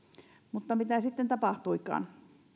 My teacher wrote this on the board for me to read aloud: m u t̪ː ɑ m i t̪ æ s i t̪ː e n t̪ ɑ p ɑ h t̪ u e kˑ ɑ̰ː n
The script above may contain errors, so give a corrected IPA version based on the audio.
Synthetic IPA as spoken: m u t̪ː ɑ m i t̪ æ s i t̪ː e n t̪ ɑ p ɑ h t̪ u i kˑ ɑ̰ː n